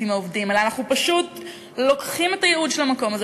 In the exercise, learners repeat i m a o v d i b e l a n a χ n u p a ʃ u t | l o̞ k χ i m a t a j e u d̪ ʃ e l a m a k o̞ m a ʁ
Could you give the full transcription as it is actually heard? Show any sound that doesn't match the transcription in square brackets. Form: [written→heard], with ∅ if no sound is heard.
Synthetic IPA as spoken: i m a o v d i [b→m] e l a n a χ n u p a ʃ u t | l o̞ k χ i m [a→e] t a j e u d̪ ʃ e l a m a k o̞ m a [ʁ→z]